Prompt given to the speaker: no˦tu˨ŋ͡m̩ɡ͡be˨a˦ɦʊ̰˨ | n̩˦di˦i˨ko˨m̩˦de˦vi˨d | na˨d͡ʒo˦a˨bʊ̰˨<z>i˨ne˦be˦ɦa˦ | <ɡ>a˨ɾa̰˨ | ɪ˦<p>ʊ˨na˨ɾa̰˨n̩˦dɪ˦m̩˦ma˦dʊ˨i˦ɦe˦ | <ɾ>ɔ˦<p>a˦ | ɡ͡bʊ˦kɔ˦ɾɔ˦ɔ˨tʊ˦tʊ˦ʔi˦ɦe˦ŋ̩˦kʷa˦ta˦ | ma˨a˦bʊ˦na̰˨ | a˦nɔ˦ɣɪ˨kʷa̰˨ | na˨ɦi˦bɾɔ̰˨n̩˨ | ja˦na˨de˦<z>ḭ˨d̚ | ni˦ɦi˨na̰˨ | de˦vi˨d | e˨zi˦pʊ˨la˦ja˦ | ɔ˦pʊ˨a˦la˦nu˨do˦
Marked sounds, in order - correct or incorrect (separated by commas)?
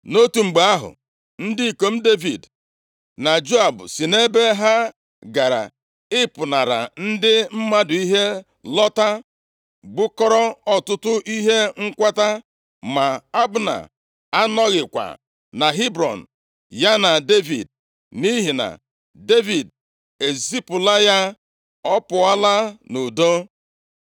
incorrect, correct, correct, incorrect, incorrect, incorrect